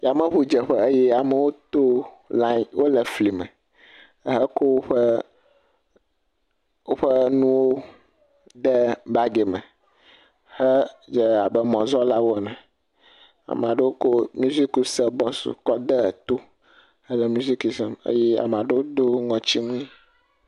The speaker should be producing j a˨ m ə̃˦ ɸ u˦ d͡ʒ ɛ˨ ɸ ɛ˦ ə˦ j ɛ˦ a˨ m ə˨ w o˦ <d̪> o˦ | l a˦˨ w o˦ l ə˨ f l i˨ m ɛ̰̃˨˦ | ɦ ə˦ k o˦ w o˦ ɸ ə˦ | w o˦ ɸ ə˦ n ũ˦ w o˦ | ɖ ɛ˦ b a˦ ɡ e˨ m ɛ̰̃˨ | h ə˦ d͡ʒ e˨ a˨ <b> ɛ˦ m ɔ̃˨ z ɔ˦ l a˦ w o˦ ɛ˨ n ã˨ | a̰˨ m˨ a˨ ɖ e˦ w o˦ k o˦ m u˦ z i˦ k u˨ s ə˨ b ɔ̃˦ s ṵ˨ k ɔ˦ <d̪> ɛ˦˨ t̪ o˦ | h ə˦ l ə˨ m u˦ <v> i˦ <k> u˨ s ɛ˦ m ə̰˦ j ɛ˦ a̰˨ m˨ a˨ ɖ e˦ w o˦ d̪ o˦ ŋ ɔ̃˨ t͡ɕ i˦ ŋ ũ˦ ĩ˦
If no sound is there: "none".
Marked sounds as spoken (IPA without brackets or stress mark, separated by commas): t̪, b, d̪, z, k